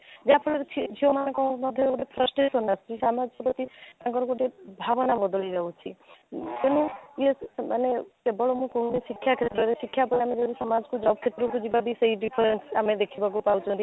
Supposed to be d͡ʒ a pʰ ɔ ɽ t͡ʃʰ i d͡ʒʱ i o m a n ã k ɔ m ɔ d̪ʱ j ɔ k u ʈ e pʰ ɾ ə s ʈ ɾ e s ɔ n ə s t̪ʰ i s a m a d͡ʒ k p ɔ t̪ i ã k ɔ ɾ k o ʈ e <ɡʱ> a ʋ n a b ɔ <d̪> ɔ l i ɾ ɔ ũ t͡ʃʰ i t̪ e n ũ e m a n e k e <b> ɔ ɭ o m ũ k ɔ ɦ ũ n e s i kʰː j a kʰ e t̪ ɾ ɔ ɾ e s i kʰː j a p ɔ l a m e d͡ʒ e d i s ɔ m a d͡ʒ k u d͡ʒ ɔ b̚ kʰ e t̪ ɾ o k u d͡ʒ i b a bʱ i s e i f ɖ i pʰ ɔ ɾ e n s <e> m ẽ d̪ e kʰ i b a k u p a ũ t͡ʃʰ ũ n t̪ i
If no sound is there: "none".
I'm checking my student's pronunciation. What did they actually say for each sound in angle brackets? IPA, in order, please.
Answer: bʱ, d̪, b, a

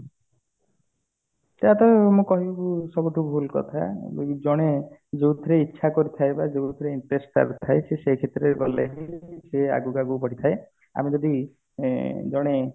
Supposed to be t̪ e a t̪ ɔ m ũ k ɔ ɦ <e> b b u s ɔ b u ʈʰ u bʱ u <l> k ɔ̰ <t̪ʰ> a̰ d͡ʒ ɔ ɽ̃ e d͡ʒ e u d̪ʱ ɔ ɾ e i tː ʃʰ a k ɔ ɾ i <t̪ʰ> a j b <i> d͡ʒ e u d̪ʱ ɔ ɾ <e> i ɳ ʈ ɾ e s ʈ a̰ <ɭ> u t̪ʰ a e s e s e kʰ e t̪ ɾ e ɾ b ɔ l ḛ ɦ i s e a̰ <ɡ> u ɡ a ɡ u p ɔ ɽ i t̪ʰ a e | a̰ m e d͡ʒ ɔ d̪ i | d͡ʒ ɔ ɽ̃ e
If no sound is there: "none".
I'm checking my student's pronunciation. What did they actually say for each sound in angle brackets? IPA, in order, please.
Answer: i, l, t̪ʰ, t̪ʰ, a, e, ɾ, ɡ

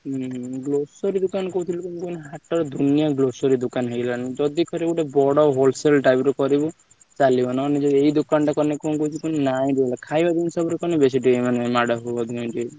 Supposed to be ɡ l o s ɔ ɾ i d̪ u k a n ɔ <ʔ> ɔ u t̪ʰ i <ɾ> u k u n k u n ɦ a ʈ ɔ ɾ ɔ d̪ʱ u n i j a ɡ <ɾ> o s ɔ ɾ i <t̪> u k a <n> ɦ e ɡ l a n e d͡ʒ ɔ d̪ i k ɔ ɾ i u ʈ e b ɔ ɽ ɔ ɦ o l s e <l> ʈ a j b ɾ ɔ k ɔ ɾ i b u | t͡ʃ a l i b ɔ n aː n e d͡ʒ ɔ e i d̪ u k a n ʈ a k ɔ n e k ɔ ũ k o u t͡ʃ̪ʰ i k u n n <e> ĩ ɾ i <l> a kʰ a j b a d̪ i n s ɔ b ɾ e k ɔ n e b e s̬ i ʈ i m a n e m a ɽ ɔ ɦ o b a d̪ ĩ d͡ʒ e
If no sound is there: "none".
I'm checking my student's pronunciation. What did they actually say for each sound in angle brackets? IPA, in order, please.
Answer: k, l, l, d̪, n, l, a, l

